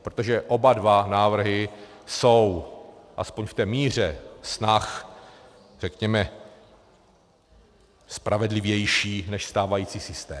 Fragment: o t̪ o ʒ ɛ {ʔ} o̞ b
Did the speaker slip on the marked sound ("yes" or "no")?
no